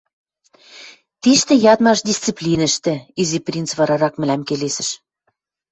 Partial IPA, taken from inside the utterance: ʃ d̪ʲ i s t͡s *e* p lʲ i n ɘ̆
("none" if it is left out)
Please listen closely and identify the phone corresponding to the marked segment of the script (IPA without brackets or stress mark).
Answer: i